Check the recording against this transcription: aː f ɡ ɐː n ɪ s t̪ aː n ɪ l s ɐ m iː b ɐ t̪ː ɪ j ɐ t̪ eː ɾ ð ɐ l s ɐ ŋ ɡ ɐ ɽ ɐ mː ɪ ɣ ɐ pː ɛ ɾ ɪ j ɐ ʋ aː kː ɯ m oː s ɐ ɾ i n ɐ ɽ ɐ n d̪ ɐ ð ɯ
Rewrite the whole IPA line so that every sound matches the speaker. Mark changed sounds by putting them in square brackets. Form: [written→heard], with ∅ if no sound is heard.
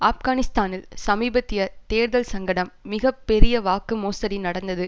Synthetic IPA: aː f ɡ [ɐː→aː] n ɪ s t̪ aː n ɪ l s ɐ m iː b ɐ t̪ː ɪ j ɐ t̪ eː ɾ ð ɐ l s ɐ ŋ ɡ ɐ ɽ ɐ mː ɪ ɣ ɐ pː ɛ ɾ ɪ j ɐ ʋ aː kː ɯ m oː s ɐ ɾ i n ɐ ɽ ɐ n d̪ ɐ ð ɯ

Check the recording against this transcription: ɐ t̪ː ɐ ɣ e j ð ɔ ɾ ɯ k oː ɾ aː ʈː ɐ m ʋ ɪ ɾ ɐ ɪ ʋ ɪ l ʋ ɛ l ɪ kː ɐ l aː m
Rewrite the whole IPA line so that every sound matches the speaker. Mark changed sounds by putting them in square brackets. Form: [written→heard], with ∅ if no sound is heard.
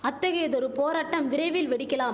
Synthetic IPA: ɐ t̪ː ɐ ɣ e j ð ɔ ɾ ɯ [k→p] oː ɾ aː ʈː ɐ m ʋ ɪ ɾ ɐ ɪ ʋ ɪ l ʋ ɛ [l→ɽ] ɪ kː ɐ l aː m

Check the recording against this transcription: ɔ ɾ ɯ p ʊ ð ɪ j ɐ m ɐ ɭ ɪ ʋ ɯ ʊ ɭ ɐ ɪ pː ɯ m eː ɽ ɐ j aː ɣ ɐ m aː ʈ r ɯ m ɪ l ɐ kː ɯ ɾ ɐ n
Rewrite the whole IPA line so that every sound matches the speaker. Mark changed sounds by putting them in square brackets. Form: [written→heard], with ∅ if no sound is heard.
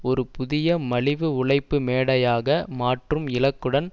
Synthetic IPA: ɔ ɾ ɯ p ʊ ð ɪ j ɐ m ɐ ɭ ɪ ʋ ɯ ʊ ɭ ɐ ɪ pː ɯ m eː ɽ ɐ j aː ɣ ɐ m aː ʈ r ɯ m ɪ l ɐ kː ɯ [ɾ→ɽ] ɐ n

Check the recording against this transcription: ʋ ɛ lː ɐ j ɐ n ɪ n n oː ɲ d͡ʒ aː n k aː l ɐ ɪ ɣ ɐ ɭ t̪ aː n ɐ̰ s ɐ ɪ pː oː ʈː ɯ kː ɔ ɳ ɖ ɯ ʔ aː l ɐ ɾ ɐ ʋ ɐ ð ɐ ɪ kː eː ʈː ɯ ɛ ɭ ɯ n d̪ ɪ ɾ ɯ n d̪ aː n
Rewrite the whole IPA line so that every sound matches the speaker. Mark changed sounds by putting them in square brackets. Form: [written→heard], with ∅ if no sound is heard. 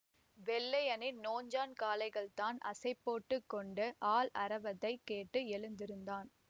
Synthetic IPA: ʋ ɛ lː ɐ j ɐ n ɪ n n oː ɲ d͡ʒ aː n k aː l ɐ ɪ ɣ ɐ ɭ t̪ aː n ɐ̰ s ɐ ɪ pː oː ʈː ɯ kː ɔ ɳ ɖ ɯ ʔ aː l ɐ ɾ ɐ ʋ ɐ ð ɐ ɪ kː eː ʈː ɯ ɛ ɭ ɯ n d̪ ɪ ɾ ɯ n d̪ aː n

